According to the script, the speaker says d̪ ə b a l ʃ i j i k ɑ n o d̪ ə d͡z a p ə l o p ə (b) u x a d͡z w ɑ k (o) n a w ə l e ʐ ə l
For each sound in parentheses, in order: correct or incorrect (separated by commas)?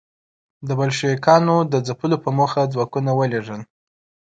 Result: incorrect, incorrect